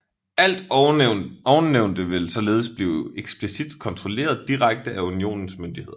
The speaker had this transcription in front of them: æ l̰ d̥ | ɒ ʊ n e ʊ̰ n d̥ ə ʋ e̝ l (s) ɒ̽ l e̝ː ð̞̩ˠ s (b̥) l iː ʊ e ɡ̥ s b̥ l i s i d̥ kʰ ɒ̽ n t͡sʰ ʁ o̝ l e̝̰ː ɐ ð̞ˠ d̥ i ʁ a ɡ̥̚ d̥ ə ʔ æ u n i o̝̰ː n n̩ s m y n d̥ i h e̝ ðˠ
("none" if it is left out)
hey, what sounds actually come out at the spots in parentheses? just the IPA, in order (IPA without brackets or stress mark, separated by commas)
s, b̥